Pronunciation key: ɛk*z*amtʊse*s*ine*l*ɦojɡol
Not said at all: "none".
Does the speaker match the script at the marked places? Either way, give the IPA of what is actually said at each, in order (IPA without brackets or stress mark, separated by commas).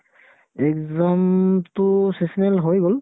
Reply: z, s, l